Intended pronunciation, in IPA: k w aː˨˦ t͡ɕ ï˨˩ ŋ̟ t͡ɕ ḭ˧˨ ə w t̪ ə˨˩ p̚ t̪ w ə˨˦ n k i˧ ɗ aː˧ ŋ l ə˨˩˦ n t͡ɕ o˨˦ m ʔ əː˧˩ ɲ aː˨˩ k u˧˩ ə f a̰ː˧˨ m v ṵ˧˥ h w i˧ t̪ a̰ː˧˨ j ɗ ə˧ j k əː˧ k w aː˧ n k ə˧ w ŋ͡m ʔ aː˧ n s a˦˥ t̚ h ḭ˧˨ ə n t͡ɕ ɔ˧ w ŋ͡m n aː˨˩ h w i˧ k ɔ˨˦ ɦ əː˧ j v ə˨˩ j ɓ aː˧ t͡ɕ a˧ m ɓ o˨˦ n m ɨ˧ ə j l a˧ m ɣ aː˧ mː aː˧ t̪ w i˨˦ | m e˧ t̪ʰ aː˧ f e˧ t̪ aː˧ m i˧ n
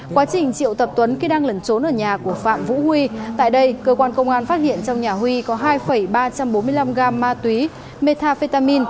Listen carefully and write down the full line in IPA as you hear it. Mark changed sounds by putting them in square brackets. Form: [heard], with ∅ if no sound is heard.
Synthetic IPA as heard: k w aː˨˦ t͡ɕ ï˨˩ ŋ̟ t͡ɕ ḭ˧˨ ə w t̪ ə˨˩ p̚ t̪ w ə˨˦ n k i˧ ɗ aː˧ ŋ l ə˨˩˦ n t͡ɕ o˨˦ [n] ʔ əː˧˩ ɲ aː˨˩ k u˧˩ ə f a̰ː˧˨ m v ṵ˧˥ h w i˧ t̪ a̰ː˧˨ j ɗ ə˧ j k əː˧ k w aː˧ n k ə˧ w ŋ͡m ʔ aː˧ n [f] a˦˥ t̚ h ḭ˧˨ ə n t͡ɕ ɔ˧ w ŋ͡m [ɲ] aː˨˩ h w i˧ k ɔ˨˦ ɦ [aː˧] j [f] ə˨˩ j ɓ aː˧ t͡ɕ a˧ m ɓ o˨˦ n m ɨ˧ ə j l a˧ m ɣ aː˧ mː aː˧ t̪ w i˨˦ | m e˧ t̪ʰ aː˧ f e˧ t̪ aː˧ m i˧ n